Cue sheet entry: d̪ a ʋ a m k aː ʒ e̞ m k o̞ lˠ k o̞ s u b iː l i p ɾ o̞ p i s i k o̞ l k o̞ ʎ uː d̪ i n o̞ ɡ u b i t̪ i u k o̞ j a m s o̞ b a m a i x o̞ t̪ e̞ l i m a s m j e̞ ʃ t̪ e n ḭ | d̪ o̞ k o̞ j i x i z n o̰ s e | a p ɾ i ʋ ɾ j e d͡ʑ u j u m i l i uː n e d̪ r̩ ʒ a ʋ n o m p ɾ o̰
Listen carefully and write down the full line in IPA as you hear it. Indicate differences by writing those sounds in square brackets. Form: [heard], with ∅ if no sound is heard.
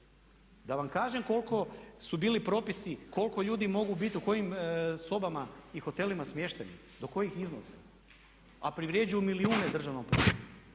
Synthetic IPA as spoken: d̪ a ʋ a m k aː ʒ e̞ m k o̞ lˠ k o̞ s u b iː l i p ɾ o̞ p i s i k o̞ l k o̞ ʎ uː d̪ i [m] o̞ ɡ u b i t̪ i u k o̞ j [i] m s o̞ b a m a i x o̞ t̪ e̞ l i m a s m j e̞ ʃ t̪ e n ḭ | d̪ o̞ k o̞ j i x i z n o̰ s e | a p ɾ i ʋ ɾ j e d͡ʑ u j u m i l i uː n e d̪ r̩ ʒ a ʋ n o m p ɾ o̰